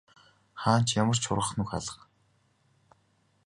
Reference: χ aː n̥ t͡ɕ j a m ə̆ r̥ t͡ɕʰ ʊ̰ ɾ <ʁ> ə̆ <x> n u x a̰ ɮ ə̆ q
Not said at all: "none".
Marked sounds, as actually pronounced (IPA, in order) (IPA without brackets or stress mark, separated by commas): ʁ, χ